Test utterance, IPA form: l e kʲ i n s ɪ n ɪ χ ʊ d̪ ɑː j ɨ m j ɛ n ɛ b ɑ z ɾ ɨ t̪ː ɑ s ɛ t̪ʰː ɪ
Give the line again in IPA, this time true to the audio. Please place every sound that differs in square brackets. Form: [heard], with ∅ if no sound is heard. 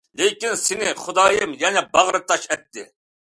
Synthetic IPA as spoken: l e kʲ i n s ɪ n ɪ χ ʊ d̪ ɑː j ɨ m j ɛ n ɛ b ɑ [ʁ] ɾ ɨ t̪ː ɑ [ʃ] ɛ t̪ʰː ɪ